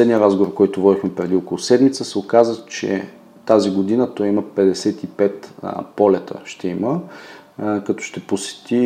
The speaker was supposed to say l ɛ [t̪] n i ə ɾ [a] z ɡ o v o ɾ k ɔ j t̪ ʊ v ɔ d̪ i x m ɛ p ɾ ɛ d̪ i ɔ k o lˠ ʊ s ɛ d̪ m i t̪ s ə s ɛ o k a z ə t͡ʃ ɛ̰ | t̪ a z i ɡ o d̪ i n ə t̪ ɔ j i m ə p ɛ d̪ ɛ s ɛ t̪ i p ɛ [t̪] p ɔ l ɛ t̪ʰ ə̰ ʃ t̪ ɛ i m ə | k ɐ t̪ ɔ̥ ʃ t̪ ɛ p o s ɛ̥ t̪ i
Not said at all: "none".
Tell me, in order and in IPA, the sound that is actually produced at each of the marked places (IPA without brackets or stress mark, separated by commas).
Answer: d̪, a, t̪